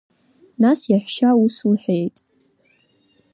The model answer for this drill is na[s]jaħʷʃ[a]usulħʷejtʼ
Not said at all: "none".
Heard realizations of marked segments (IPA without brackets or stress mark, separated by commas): s, a